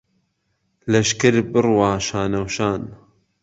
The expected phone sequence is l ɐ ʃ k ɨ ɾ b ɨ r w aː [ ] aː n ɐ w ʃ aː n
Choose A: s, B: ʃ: B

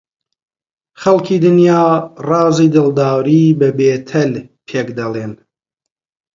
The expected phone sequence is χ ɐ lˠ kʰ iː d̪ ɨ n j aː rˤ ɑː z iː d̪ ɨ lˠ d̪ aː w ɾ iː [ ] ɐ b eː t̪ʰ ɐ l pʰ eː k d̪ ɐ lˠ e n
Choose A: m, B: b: B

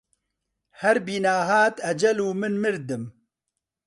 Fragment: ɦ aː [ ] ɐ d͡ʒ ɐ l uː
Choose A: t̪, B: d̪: A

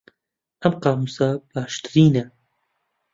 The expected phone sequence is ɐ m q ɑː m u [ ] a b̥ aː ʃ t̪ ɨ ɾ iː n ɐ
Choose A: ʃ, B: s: B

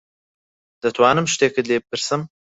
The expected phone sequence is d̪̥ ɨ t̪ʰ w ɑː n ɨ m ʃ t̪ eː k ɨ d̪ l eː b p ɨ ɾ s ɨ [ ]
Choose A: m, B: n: A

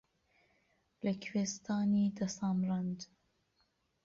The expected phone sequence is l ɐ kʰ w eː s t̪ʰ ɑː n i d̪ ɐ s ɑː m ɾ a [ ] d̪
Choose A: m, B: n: B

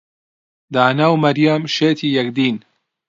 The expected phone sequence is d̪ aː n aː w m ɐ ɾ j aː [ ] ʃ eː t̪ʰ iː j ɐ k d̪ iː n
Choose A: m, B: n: A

